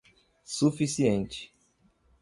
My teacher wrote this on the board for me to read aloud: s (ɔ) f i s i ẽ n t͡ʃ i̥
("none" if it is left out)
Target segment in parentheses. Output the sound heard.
u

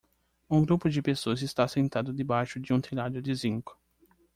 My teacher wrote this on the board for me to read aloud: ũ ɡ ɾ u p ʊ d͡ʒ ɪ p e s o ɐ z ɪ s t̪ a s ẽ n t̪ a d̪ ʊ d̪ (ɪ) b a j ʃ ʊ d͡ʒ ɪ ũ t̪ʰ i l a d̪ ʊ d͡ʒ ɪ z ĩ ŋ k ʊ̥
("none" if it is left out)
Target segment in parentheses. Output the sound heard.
ɪ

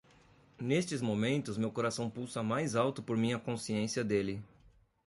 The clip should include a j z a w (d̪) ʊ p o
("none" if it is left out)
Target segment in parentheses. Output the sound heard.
t̪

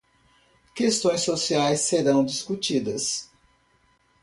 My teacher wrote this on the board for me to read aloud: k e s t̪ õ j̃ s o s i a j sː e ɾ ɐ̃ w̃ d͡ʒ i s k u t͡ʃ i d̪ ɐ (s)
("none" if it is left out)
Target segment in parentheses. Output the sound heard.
s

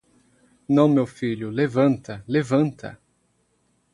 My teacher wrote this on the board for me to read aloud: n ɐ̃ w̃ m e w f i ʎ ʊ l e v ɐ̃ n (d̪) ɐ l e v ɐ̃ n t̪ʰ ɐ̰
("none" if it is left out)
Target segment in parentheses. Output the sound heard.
t̪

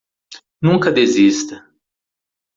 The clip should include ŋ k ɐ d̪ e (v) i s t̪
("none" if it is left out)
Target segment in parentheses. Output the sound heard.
z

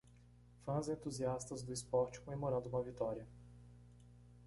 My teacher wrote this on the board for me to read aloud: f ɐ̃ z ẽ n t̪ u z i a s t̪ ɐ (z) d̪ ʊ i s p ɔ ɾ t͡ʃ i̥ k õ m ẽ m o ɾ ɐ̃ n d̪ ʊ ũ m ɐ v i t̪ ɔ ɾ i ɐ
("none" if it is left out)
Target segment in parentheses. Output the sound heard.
z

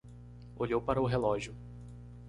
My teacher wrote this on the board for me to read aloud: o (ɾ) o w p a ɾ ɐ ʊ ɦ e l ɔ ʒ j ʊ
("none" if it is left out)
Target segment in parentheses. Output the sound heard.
ʎ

